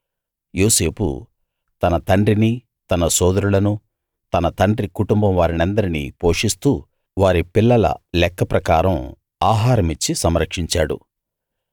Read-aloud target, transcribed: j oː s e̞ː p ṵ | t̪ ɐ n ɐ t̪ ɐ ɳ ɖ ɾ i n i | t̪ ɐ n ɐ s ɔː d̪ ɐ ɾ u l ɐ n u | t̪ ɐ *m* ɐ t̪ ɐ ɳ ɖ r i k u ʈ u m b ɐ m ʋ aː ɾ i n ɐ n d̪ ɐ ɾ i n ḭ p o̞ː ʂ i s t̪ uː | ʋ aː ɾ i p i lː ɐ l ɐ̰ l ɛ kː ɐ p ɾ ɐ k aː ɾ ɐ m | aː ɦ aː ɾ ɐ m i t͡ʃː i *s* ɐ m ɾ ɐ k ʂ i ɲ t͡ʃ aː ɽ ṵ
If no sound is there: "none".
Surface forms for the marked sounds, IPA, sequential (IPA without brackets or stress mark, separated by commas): n, s